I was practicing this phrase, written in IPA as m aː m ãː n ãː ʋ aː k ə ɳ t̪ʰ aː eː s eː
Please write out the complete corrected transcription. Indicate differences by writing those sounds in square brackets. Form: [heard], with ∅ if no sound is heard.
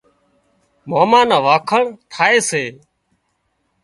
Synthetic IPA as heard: m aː m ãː n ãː ʋ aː [kʰ] ə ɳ t̪ʰ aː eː s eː